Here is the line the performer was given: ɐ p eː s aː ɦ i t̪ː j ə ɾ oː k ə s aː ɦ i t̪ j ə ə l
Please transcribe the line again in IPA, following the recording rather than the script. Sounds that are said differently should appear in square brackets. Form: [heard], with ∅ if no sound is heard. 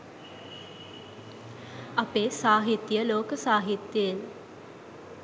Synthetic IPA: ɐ p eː s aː ɦ i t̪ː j ə [l] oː k ə s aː ɦ i t̪ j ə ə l